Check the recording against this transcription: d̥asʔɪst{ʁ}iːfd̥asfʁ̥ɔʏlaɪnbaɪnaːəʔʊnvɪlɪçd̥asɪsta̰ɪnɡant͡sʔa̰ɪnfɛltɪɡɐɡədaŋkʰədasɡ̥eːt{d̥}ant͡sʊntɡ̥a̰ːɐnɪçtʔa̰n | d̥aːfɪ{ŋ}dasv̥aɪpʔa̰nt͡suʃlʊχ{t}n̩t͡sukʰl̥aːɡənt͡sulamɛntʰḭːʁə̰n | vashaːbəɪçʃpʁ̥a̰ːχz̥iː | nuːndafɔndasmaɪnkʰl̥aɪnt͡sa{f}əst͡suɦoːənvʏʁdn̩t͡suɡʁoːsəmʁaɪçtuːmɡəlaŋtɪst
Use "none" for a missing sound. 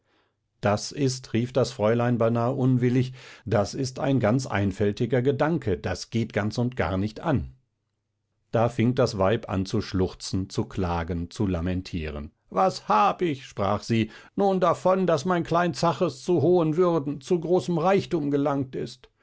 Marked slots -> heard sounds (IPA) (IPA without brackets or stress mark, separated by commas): ʁ, ɡ̥, ŋ, t͡s, χ